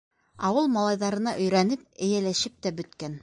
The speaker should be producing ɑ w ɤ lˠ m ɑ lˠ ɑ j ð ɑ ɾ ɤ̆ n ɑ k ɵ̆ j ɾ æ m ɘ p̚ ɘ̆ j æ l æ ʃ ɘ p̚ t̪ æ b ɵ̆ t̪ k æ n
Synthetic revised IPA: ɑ w ɤ lˠ m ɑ lˠ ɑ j ð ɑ ɾ ɤ̆ n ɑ ʔ ɵ̆ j ɾ æ n ɘ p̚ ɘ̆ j æ l æ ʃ ɘ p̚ t̪ æ b ɵ̆ t̪ k æ n